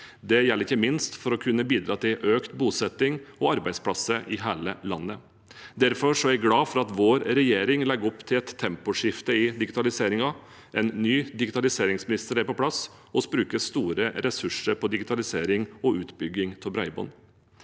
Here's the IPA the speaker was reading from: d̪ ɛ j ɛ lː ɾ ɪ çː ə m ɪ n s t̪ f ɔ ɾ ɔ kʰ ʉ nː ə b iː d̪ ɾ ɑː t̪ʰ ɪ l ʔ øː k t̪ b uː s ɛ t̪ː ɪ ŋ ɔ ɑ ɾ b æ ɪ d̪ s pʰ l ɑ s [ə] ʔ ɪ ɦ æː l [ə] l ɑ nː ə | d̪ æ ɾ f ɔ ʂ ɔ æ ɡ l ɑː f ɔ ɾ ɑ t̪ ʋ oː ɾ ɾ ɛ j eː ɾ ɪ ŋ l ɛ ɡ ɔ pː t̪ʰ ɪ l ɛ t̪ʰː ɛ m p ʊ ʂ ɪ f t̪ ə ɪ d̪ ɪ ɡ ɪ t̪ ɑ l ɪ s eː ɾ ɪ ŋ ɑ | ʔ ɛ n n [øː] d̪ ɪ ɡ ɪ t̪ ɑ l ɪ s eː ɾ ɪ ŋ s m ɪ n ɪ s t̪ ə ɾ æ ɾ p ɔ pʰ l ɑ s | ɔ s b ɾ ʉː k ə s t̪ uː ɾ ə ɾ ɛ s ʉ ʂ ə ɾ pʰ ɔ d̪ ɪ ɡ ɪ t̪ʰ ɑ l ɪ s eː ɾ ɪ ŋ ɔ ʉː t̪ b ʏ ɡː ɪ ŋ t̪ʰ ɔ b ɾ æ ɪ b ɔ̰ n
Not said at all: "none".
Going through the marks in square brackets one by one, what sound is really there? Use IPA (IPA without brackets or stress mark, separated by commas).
ə, ə, yː